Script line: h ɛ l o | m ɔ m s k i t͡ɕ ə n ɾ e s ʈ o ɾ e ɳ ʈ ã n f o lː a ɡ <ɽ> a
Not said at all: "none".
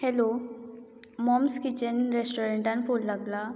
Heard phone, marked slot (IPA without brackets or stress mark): l